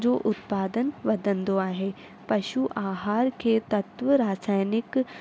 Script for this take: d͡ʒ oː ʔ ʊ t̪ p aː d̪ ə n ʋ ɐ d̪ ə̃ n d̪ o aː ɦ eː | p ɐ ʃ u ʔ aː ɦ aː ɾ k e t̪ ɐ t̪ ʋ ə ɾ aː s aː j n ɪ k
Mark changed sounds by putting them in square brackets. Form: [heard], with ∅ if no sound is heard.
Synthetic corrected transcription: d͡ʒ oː ʔ ʊ t̪ p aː d̪ ə n ʋ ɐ d̪ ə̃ n d̪ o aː ɦ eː | p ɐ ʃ u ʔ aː ɦ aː ɾ k e t̪ ɐ t̪ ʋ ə ɾ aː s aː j n ɪ k